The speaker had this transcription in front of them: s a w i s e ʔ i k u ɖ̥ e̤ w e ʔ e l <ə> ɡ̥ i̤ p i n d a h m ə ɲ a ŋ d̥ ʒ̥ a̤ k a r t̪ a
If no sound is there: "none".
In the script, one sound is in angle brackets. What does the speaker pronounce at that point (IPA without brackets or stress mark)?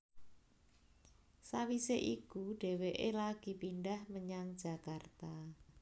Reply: a